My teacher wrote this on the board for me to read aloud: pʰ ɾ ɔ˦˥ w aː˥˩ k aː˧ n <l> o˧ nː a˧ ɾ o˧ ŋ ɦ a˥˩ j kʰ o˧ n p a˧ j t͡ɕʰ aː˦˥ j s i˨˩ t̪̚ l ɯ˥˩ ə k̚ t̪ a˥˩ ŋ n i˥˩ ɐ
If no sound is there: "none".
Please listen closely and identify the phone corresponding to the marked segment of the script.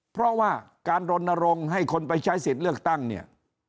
ɾ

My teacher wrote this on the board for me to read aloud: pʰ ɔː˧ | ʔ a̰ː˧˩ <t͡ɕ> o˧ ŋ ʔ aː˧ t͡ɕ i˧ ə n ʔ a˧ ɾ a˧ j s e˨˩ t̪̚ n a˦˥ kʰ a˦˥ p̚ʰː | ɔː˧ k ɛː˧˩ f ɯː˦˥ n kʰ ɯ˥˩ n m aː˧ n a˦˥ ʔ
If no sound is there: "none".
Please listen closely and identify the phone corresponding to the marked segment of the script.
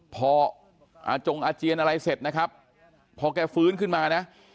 t͡ɕ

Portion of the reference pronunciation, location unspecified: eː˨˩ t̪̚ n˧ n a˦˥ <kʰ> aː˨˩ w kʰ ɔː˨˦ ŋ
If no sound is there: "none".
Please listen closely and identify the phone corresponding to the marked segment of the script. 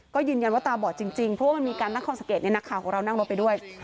kʰ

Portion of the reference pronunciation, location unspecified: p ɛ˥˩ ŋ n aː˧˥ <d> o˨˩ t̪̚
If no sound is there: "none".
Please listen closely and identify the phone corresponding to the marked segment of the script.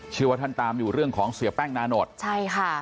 n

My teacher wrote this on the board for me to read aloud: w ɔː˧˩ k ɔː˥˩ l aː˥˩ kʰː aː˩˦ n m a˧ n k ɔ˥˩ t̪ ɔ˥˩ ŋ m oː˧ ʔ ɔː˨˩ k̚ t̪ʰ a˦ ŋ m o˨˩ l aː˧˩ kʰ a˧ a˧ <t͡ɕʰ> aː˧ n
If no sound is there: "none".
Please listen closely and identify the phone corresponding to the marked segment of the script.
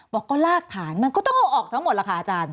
t͡ɕ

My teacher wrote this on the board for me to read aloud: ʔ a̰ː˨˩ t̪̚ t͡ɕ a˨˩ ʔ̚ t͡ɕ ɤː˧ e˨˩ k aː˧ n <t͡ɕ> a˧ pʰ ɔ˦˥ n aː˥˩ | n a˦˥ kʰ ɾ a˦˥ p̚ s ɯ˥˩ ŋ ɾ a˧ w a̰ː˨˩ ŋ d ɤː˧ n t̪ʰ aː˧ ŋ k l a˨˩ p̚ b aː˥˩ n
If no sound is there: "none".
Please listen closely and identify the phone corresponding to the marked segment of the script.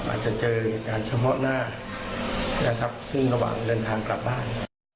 t͡ɕʰ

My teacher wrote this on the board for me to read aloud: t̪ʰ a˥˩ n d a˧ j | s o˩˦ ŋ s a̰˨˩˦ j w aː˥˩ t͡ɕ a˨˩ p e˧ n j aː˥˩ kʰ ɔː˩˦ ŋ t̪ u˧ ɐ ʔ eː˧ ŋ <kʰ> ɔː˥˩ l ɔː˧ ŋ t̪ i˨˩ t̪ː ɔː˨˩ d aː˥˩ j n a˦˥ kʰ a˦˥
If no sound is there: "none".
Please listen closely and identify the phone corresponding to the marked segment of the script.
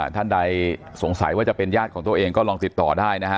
k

